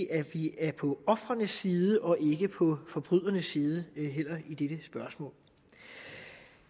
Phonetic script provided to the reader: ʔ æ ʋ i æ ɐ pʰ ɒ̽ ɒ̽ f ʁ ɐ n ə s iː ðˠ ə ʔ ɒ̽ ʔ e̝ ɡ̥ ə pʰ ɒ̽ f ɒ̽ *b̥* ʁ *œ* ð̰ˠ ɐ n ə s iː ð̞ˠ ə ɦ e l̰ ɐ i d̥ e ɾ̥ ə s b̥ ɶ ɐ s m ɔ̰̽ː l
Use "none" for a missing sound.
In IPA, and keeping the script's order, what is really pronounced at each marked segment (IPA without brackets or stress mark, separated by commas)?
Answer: b̥, y